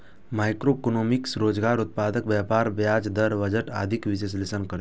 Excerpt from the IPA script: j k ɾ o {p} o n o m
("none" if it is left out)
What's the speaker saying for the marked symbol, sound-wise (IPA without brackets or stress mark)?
k